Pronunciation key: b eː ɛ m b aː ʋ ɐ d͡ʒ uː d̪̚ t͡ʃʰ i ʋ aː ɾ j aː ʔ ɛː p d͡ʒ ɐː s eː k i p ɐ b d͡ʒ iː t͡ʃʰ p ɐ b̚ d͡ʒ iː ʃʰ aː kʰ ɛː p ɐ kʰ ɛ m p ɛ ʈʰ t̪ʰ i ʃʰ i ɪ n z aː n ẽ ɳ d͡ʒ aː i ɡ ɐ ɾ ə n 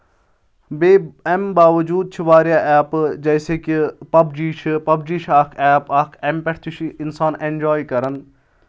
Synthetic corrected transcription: b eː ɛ m b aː ʋ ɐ d͡ʒ uː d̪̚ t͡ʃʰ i ʋ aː ɾ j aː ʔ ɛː p d͡ʒ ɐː s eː k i p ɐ b d͡ʒ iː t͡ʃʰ p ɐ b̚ d͡ʒ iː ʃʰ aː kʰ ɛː p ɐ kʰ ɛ m p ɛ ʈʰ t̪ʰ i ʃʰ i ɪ n s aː n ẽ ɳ d͡ʒ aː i k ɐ ɾ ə n